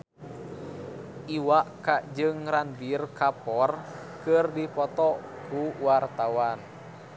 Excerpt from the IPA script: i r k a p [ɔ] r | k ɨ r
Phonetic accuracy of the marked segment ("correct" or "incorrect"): correct